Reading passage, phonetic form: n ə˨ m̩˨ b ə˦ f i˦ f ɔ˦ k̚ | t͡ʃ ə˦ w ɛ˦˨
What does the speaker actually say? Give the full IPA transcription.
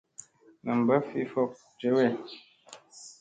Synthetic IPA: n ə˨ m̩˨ b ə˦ f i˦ f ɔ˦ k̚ | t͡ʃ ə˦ w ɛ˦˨